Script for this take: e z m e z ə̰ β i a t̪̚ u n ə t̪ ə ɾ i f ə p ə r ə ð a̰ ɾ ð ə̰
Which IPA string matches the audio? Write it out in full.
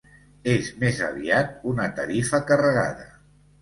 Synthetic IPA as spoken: e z m e z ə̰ β i a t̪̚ u n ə t̪ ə ɾ i f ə k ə r ə ɣ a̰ ð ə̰